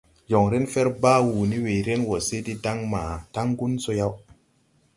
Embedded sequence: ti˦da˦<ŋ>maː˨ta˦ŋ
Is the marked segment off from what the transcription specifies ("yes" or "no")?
no